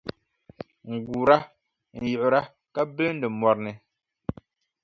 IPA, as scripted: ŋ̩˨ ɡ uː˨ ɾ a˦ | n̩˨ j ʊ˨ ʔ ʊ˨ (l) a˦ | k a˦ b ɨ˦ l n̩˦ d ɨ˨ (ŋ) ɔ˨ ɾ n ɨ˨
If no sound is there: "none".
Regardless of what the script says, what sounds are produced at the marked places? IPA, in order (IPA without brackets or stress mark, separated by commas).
ɾ, m